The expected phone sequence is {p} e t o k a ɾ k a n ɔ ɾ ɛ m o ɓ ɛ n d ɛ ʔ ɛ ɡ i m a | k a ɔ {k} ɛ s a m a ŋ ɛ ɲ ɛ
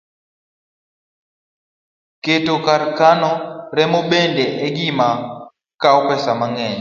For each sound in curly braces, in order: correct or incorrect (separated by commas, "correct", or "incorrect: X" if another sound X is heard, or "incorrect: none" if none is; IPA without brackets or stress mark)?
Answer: incorrect: k, incorrect: p